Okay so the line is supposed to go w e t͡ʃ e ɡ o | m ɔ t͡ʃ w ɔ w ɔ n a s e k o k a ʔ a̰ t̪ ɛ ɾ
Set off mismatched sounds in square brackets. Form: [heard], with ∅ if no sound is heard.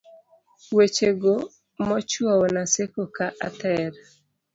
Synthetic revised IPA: w e t͡ʃ e ɡ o | m ɔ t͡ʃ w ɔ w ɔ n a s e k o k a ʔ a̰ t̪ ɛ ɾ